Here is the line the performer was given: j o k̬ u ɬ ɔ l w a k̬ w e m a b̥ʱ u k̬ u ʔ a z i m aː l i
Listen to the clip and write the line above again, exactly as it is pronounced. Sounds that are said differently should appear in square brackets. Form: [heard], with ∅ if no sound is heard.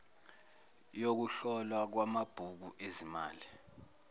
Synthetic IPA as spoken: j o k̬ u ɬ ɔ l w a k̬ w [a] m a b̥ʱ u k̬ u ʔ [e] z i m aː l i